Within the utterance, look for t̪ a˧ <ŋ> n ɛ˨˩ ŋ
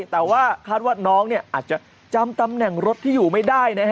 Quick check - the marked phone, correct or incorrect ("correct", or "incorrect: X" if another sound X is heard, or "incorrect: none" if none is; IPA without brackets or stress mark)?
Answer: incorrect: m